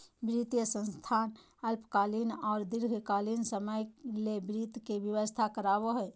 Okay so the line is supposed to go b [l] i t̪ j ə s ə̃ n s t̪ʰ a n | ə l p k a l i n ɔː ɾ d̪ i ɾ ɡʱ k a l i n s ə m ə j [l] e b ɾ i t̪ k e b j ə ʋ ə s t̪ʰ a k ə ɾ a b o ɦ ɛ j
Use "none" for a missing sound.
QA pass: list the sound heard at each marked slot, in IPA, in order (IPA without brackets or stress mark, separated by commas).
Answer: ɾ, l